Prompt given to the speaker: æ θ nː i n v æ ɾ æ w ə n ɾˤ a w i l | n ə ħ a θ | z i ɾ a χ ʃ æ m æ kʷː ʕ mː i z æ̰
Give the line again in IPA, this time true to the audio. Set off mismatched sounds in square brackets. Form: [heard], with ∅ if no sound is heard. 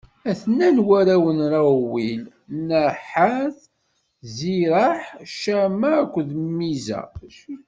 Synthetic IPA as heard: æ θ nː [æ] n [w] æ ɾ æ w ə n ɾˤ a w i l | n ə ħ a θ | z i ɾ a [ħ] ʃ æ m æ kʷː [ð] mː i z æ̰